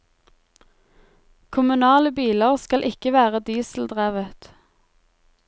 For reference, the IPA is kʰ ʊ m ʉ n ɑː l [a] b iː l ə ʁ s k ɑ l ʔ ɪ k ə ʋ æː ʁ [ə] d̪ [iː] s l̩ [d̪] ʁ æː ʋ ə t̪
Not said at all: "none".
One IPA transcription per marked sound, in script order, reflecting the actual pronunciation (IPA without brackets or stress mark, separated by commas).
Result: ə, ə, iː, d̪